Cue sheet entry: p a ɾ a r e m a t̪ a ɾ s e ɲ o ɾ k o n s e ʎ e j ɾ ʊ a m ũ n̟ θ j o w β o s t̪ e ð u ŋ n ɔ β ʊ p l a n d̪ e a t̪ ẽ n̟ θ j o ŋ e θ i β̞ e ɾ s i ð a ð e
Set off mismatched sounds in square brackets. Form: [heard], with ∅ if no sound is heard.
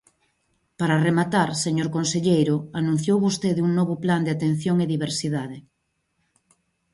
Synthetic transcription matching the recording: p a ɾ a r e m a t̪ a ɾ s e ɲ o ɾ k o n s e ʎ e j ɾ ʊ a [n] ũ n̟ θ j o w β o s t̪ e ð u ŋ n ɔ β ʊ p l a n d̪ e a t̪ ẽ n̟ θ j o ŋ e [ð] i β̞ e ɾ s i ð a ð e